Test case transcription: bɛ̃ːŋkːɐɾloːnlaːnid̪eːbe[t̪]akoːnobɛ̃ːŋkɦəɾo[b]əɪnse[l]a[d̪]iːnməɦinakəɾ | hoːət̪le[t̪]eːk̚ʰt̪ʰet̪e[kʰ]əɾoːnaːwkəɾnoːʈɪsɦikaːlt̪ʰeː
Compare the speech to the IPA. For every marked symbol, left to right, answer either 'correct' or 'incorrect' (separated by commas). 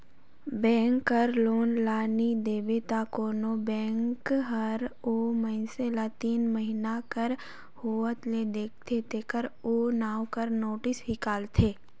correct, incorrect, correct, incorrect, incorrect, incorrect